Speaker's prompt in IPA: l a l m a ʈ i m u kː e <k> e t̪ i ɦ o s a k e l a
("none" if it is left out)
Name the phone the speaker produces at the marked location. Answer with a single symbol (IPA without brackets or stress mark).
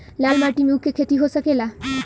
kʰ